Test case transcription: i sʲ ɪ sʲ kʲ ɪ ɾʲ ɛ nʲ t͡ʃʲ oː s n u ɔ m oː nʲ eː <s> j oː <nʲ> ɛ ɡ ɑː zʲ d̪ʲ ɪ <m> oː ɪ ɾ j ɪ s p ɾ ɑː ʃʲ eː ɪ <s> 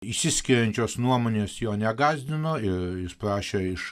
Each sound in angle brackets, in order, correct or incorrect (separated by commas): correct, correct, incorrect, incorrect